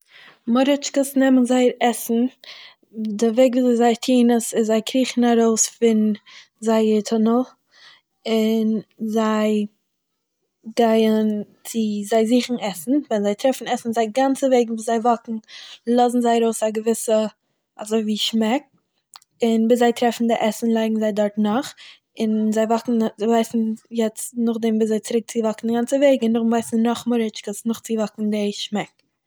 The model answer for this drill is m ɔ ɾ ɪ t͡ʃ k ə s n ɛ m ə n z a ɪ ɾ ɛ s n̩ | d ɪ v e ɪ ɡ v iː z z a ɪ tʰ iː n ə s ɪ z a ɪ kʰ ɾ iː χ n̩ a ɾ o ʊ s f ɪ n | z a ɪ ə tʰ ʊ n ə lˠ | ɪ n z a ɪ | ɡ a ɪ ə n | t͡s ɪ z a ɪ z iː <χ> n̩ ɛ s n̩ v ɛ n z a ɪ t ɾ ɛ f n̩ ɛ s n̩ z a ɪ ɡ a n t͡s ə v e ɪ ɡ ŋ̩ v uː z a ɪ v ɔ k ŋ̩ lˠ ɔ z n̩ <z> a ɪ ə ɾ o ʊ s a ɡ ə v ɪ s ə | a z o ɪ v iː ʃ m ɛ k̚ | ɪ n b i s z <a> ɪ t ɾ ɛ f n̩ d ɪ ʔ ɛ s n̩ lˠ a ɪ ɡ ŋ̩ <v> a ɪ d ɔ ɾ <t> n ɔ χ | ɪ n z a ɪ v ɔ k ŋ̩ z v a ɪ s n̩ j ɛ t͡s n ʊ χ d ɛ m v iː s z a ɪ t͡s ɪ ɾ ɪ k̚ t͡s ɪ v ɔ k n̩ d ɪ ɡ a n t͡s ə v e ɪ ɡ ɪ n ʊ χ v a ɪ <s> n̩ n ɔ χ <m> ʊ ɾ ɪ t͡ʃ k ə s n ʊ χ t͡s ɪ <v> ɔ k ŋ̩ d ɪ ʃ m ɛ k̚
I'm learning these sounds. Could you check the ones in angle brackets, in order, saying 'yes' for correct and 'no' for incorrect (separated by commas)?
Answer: yes, yes, yes, no, yes, yes, yes, yes